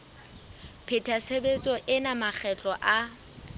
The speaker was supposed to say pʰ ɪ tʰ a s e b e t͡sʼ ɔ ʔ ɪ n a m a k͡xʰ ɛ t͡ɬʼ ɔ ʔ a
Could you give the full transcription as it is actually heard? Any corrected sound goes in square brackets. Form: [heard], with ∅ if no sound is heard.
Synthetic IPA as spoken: pʰ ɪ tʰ a s e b e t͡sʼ ɔ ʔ ɪ n a m a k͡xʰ ɛ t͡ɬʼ ɔ ʔ a